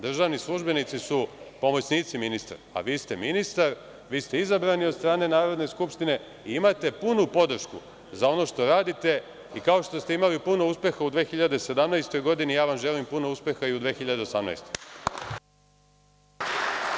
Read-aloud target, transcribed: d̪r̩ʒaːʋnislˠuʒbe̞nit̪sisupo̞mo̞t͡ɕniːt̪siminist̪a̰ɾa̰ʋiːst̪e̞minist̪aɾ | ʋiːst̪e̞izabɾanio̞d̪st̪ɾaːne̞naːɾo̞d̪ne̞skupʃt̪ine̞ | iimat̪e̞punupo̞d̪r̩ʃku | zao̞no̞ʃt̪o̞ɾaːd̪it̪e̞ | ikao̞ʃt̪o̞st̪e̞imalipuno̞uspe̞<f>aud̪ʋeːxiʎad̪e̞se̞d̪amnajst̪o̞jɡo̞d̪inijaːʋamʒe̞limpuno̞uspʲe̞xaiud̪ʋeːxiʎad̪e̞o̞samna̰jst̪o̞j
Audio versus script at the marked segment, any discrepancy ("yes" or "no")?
yes